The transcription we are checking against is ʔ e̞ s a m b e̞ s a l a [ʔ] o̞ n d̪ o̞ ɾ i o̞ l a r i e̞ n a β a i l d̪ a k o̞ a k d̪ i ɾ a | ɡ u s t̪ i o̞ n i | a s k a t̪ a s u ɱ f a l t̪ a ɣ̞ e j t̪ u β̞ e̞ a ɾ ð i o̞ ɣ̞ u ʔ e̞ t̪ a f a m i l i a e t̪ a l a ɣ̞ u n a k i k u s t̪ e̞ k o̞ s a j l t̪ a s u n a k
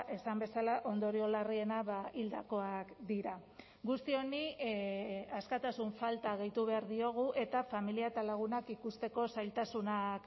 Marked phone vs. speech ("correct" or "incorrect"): correct